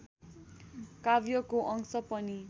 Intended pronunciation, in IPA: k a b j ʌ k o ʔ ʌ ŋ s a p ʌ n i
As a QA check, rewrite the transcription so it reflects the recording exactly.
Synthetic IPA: k a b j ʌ k o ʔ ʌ ŋ s ʌ p ʌ n i